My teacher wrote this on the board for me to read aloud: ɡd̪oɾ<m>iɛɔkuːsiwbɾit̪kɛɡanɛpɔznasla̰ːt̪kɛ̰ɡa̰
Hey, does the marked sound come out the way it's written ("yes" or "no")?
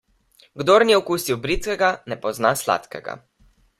no